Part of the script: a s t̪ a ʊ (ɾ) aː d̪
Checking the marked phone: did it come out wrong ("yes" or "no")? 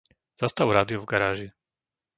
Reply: no